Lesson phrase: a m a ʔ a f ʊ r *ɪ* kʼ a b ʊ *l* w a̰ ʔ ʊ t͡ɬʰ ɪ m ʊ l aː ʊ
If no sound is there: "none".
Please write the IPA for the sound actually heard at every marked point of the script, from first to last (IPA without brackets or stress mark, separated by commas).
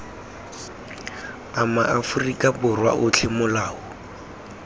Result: i, r